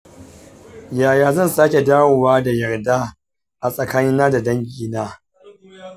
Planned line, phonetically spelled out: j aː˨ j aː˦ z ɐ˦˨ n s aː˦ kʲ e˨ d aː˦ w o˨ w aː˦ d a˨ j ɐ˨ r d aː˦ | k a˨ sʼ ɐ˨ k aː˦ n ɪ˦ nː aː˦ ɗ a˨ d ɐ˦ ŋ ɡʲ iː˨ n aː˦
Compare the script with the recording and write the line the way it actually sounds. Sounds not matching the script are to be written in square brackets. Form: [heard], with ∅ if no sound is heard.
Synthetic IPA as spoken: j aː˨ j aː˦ z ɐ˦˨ n s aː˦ kʲ e˨ d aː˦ w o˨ w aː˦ d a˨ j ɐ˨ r d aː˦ | [ʔ] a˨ sʼ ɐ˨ k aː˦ n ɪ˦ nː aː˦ [d] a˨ d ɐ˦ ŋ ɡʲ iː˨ n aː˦

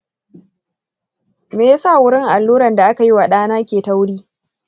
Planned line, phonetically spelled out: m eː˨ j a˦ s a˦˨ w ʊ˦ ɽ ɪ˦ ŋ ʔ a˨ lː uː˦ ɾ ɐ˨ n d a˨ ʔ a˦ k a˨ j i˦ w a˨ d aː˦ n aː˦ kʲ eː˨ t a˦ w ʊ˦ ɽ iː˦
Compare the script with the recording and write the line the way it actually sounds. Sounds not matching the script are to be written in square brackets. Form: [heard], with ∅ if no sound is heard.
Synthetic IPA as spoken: m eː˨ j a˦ s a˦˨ w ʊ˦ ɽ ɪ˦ ŋ ʔ a˨ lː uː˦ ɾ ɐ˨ n d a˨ ʔ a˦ k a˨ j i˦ w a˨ [ɗ] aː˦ n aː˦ kʲ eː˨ t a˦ w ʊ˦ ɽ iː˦

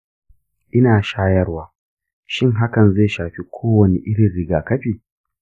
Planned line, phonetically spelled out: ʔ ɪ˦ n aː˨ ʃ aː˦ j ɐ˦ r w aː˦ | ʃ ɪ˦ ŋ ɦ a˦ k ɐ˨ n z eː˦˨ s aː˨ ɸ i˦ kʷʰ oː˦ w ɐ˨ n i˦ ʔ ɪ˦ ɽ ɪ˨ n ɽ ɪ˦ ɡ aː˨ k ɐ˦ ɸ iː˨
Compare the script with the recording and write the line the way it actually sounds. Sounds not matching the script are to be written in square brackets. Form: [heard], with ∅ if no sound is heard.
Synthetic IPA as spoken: ʔ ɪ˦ n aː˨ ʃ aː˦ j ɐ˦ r w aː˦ | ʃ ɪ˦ ŋ ɦ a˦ k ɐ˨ n z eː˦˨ [ʃ] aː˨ ɸ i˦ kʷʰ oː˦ w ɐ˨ n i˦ ʔ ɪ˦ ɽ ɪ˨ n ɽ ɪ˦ ɡ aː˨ k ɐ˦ ɸ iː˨

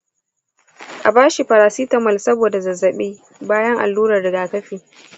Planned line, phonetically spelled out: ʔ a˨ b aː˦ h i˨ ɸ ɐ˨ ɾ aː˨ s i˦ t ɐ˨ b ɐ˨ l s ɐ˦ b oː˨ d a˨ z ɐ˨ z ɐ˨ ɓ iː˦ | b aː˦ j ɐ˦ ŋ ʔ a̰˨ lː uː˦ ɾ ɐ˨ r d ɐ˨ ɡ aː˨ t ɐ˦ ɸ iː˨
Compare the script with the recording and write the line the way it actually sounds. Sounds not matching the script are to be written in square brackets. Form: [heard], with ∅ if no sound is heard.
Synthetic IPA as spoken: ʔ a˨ b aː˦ [ʃ] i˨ ɸ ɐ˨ ɾ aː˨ s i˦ t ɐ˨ [m] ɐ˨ l s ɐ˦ b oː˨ d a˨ z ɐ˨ z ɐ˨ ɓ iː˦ | b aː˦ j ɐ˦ ŋ ʔ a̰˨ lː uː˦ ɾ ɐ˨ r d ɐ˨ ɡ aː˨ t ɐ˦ ɸ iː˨

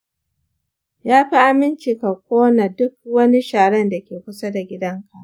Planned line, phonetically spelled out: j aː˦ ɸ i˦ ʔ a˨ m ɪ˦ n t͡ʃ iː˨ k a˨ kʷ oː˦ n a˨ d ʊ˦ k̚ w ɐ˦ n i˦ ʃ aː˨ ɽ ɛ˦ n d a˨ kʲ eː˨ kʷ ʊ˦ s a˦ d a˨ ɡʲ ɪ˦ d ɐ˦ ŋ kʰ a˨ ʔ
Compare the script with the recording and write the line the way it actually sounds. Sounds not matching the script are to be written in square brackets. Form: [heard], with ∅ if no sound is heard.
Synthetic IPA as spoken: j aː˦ ɸ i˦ ʔ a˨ m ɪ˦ n t͡ʃ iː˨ k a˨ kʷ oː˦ n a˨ d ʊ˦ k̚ w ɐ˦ n i˦ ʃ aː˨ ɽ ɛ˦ n d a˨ kʲ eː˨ kʷ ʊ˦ s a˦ d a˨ ɡʲ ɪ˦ d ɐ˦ ŋ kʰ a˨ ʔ

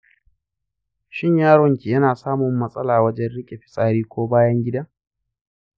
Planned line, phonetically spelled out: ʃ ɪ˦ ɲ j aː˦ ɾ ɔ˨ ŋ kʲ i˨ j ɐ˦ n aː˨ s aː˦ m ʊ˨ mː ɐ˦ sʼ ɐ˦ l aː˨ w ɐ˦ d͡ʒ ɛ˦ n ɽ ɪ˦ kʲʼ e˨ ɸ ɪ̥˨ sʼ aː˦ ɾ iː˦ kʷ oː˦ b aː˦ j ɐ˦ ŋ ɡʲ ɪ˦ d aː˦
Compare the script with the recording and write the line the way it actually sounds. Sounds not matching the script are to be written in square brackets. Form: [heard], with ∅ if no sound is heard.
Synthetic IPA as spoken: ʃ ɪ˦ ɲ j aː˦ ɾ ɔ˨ ŋ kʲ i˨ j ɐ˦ n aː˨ s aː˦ m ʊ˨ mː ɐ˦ sʼ ɐ˦ l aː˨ w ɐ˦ d͡ʒ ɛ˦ n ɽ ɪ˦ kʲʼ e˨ ɸ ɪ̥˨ sʼ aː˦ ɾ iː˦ kʷ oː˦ b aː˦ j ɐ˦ ŋ ɡʲ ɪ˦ d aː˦

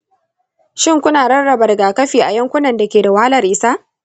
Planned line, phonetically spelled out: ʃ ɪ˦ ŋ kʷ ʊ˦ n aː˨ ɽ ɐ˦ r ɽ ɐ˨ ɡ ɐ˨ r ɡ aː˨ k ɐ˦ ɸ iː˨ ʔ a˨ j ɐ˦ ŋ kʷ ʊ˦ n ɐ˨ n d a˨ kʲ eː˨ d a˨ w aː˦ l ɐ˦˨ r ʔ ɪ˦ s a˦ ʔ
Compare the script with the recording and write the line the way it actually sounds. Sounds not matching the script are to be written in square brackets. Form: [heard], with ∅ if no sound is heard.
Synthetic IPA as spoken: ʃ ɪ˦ ŋ kʷ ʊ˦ n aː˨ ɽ ɐ˦ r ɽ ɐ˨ [b] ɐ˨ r ɡ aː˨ k ɐ˦ ɸ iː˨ ʔ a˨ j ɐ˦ ŋ kʷ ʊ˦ n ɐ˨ n d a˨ kʲ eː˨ d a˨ w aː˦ l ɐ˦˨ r ʔ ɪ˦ s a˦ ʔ

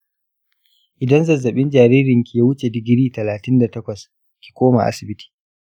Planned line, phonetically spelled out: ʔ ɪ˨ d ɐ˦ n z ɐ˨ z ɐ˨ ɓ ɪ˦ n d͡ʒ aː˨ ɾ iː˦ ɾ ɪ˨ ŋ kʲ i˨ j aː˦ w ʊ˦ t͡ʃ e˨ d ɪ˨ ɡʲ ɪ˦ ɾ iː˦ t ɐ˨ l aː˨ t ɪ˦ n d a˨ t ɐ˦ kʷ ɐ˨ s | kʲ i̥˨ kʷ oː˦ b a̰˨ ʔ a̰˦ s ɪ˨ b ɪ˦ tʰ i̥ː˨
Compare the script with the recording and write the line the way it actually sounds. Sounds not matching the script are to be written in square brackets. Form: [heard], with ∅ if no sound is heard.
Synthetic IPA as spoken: ʔ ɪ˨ d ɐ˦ n z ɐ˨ z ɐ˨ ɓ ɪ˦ n d͡ʒ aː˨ ɾ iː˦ ɾ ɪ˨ ŋ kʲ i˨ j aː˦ w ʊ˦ t͡ʃ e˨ d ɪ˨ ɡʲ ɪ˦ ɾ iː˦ t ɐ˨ l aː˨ t ɪ˦ n d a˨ t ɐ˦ kʷ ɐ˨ s | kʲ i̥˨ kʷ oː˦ [m] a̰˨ ʔ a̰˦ s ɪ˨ b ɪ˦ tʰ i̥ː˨

